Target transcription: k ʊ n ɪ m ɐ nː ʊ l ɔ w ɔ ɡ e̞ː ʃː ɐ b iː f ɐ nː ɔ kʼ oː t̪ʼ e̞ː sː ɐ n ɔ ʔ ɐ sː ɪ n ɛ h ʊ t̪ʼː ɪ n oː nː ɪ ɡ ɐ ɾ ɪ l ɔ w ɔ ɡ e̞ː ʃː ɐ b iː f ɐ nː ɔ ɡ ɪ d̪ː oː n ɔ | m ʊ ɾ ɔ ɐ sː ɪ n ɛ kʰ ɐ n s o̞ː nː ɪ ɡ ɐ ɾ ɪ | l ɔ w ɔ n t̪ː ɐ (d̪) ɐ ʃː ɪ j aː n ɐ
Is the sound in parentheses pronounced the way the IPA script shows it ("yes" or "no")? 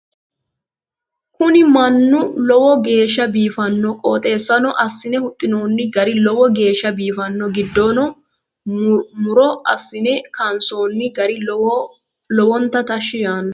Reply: no